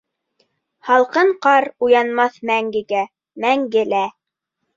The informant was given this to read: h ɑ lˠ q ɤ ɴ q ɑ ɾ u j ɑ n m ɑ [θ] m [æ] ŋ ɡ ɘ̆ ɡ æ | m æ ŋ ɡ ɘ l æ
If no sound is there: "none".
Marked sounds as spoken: θ, æ

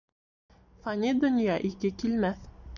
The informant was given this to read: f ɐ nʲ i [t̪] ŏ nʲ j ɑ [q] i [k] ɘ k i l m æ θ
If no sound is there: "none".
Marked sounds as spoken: d̪, ʔ, k

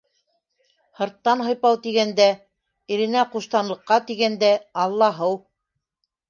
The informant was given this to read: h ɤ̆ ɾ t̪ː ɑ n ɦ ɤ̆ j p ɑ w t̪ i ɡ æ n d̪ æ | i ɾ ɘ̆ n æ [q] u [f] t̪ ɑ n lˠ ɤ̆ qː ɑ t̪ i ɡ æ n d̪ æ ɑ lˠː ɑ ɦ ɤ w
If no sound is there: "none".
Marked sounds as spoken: q, ʃ

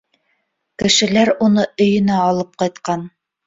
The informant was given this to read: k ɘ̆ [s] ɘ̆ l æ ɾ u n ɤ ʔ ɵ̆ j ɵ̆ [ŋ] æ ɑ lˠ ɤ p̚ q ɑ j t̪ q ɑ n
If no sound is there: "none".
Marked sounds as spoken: ʃ, n

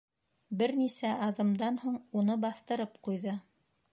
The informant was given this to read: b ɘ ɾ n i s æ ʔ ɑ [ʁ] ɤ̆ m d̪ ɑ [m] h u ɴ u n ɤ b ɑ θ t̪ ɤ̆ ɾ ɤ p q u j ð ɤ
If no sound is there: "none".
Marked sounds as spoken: ð, n

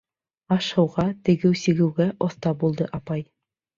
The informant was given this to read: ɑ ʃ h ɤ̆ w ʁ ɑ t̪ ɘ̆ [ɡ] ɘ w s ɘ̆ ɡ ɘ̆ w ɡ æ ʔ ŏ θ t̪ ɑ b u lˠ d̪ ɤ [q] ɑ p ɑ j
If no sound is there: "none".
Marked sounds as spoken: ɡ, ʔ

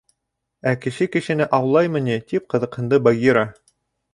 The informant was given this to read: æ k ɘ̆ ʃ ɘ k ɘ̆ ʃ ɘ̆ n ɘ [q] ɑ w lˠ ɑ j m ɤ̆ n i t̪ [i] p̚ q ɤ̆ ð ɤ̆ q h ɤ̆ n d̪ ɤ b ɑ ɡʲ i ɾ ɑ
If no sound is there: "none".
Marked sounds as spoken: ʔ, i

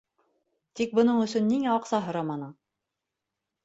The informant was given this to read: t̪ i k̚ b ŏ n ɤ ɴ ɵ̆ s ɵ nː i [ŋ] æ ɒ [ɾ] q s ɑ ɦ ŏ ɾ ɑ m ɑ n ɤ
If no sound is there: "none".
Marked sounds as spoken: ŋ, none

